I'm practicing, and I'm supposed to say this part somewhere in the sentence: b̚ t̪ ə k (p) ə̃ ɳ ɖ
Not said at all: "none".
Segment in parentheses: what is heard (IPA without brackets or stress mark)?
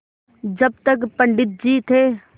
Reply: p